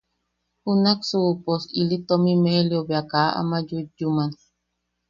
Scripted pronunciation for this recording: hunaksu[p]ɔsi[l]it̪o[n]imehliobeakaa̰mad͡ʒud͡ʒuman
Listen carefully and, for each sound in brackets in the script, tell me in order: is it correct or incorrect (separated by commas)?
correct, correct, incorrect